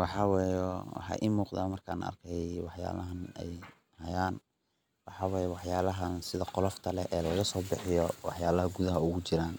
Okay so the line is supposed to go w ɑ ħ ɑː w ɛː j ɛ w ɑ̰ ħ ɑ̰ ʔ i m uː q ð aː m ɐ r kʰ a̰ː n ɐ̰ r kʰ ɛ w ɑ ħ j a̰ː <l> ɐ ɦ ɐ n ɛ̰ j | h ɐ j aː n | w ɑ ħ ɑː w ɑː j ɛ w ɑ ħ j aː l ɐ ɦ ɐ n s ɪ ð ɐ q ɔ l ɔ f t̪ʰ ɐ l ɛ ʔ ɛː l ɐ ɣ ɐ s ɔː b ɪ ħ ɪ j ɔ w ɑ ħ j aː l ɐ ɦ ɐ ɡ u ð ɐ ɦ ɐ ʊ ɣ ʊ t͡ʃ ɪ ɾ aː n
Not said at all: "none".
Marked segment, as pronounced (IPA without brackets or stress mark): l